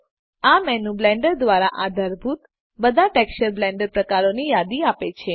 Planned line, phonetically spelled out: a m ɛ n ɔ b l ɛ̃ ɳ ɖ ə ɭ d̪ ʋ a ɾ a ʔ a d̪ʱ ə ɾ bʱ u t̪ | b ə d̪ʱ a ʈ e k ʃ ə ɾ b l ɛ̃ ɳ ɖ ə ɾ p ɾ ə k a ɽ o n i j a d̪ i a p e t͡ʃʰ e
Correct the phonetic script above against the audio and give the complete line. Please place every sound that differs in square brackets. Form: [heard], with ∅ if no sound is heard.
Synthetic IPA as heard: a m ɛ n [u] b l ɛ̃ ɳ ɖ ə [ɾ] d̪ ʋ a ɾ a ʔ a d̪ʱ ə ɾ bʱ u t̪ | b ə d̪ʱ a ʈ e k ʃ ə ɾ b l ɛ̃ ɳ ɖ ə ɾ p ɾ ə k a [ɾ] o n i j a d̪ i a p e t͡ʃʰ e